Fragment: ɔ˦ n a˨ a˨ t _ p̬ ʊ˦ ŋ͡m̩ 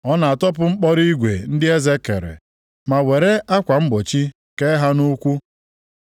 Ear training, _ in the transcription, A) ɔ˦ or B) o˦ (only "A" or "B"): A